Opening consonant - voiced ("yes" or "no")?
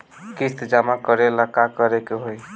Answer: no